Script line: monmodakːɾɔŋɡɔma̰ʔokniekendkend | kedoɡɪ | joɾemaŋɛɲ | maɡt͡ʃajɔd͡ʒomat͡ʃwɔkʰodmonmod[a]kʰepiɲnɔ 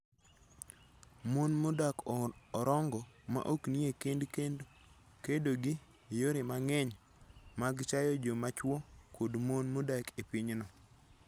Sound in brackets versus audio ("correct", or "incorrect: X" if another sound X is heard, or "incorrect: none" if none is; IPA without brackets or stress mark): correct